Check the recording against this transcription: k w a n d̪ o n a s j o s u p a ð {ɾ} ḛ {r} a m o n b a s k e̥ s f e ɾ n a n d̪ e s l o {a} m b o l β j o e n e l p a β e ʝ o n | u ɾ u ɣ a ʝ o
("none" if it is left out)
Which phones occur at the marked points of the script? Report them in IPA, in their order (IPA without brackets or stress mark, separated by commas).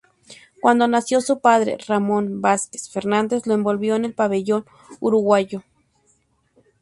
ɾ, r, e